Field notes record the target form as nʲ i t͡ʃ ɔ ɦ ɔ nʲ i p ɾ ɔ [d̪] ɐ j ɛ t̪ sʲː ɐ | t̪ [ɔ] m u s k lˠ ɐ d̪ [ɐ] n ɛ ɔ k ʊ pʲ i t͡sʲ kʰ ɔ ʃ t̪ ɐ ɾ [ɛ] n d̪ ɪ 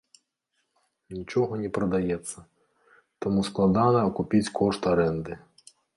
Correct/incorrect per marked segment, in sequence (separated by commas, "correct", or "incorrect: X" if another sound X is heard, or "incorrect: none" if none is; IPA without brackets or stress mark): correct, correct, incorrect: ɑ, correct